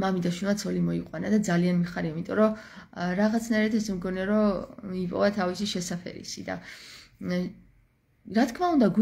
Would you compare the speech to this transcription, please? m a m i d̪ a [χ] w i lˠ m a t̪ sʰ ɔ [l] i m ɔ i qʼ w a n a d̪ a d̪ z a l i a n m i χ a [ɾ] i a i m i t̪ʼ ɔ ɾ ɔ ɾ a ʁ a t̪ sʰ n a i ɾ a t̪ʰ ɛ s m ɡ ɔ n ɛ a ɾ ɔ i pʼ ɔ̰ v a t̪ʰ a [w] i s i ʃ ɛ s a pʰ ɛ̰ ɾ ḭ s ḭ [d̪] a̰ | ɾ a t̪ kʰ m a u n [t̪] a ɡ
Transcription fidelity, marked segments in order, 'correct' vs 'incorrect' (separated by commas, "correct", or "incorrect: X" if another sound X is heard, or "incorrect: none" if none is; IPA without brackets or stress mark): incorrect: ʃ, correct, correct, incorrect: v, correct, incorrect: d̪